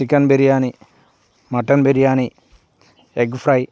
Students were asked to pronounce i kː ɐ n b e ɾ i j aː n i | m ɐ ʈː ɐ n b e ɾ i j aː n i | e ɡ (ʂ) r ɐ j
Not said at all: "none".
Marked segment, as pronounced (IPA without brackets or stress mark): f